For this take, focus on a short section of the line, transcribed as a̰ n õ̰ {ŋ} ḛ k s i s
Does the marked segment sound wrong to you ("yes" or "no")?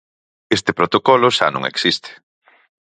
no